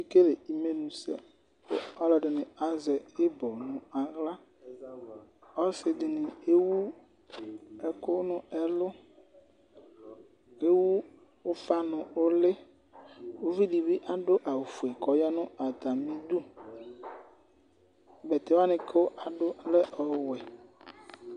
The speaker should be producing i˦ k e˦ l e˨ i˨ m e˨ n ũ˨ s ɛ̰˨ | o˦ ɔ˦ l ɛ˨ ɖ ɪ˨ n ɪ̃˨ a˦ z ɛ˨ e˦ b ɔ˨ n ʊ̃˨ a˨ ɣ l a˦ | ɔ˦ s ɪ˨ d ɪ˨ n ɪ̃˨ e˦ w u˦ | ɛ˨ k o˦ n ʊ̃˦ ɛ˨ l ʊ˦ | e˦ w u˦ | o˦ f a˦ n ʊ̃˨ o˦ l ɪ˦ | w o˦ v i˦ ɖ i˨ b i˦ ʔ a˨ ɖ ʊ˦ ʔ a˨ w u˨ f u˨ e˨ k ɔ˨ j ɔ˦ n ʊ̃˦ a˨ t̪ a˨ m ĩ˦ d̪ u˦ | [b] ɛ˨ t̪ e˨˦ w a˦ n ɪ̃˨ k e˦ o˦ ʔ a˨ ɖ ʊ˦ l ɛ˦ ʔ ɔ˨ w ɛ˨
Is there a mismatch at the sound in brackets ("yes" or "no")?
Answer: no